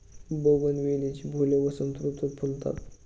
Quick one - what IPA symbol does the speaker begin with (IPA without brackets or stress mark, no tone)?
b